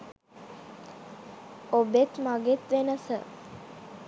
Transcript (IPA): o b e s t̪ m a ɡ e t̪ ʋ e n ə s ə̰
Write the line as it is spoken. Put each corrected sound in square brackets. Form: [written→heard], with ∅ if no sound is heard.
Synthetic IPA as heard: o b e [s→∅] t̪ m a ɡ e t̪ ʋ e n ə s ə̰